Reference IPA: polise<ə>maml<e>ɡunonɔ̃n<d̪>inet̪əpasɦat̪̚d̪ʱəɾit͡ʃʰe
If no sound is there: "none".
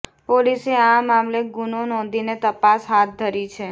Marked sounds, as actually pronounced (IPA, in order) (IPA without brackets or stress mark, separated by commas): a, e, d̪